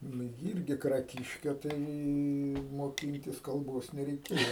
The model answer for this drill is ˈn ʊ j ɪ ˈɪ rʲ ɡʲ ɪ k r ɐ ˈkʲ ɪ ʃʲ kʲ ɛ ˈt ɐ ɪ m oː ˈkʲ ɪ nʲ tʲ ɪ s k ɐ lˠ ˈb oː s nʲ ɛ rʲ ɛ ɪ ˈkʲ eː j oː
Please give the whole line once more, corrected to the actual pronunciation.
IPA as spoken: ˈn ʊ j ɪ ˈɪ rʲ ɡʲ ɪ k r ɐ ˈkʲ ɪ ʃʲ kʲ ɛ ˈt ɐ ɪ m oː ˈkʲ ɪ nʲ tʲ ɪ s k ɐ lˠ ˈb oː s nʲ ɛ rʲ ɛ ɪ ˈkʲ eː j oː